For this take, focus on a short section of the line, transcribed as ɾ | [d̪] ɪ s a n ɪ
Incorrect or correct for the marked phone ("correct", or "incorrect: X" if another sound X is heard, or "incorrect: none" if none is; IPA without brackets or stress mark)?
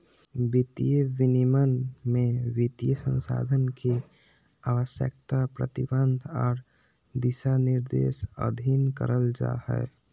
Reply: correct